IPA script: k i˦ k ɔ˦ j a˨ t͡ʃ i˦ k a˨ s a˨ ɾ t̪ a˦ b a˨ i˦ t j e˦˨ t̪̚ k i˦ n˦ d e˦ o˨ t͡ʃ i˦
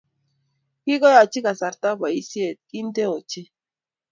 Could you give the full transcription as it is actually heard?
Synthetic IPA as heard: k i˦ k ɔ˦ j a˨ t͡ʃ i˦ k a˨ s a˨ ɾ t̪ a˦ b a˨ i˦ s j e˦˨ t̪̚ k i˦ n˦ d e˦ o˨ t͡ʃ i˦